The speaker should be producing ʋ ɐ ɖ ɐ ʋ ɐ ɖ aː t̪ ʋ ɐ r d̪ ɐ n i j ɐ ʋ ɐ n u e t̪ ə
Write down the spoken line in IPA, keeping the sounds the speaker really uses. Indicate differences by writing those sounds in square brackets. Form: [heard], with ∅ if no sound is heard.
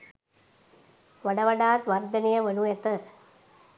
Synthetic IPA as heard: ʋ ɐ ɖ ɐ ʋ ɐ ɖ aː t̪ ʋ ɐ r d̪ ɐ n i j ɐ ʋ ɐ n u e t̪ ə